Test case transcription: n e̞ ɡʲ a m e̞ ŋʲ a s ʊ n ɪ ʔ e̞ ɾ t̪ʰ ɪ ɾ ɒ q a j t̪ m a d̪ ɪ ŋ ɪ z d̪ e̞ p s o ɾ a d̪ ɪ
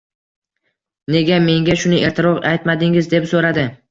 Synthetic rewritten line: n e̞ ɡʲ a m e̞ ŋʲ a ʃ ʊ n ɪ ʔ e̞ ɾ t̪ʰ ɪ ɾ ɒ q a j t̪ m a d̪ ɪ ŋ ɪ z d̪ e̞ p s o ɾ a d̪ ɪ